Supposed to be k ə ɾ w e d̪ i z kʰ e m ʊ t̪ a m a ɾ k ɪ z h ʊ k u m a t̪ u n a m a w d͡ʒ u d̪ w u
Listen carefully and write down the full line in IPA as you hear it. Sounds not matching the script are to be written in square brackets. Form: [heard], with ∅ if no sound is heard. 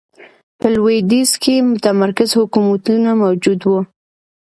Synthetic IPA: [p] ə [l] w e d̪ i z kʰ e m ʊ t̪ a m a ɾ k ɪ z h ʊ k u m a t̪ u n a m a w d͡ʒ u d̪ w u